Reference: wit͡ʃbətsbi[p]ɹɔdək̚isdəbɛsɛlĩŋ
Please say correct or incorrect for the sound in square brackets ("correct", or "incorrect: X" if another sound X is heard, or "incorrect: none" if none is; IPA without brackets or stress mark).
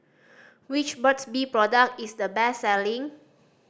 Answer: correct